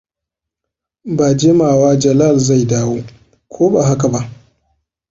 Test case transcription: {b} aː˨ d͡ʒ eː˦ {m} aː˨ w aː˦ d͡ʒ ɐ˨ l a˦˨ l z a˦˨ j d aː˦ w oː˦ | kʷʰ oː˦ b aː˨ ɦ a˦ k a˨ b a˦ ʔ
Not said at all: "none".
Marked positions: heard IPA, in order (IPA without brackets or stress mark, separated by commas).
b, m